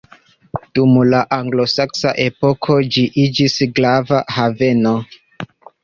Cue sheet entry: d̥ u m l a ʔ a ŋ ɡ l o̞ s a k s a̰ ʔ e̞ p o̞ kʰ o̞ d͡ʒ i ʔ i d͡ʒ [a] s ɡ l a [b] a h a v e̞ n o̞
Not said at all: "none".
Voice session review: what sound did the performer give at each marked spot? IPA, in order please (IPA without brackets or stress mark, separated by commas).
i, v